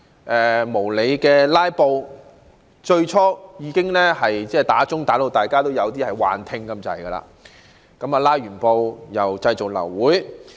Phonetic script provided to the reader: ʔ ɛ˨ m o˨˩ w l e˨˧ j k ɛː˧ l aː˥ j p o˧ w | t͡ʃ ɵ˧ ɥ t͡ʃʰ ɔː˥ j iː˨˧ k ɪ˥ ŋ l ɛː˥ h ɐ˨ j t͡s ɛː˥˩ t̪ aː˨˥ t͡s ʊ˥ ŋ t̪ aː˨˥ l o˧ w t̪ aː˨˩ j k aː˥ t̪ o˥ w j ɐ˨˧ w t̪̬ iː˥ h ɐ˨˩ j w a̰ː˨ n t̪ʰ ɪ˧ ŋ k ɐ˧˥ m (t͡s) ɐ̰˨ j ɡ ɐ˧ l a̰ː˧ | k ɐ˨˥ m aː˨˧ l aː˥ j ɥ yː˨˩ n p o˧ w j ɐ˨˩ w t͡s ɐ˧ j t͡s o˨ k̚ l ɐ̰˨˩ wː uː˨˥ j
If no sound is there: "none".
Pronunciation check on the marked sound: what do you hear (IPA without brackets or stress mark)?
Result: t͡s